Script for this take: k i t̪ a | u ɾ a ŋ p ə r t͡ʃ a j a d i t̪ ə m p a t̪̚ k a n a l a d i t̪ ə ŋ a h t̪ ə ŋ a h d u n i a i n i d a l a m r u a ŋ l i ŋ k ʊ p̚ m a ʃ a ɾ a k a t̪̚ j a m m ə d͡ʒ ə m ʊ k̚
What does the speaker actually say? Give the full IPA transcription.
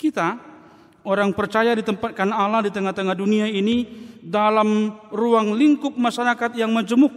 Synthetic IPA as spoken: k i t̪ a | o ɾ a ŋ p ə r t͡ʃ a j a d i t̪ ə m p a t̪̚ k a n a l a d i t̪ ə ŋ a h t̪ ə ŋ a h d u n i a i n i d a l a m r u a ŋ l i ŋ k ʊ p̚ m a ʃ a ɾ a k a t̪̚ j a ŋ m ə d͡ʒ ə m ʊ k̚